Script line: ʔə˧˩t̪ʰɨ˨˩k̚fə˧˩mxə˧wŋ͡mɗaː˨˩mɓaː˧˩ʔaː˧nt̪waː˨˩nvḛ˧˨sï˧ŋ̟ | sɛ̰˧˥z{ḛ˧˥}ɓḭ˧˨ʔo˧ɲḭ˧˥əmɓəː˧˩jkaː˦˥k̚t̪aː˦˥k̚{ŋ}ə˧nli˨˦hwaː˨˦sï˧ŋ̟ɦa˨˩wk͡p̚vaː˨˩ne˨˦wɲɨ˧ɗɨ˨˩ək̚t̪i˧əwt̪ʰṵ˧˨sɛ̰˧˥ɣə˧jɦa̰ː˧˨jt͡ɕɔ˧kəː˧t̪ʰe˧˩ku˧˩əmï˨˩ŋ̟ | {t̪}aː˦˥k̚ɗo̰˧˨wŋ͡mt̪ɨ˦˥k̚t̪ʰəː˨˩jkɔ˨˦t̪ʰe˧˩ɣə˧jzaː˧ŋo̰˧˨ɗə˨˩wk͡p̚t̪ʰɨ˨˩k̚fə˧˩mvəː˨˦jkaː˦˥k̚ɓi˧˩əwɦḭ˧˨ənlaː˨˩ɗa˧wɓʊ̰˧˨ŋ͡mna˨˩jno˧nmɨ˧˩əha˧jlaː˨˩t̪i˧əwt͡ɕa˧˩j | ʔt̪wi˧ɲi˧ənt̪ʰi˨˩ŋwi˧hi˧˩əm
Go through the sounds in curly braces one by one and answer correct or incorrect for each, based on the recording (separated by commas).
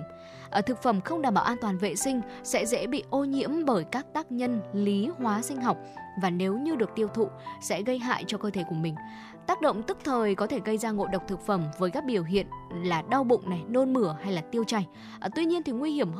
incorrect, incorrect, correct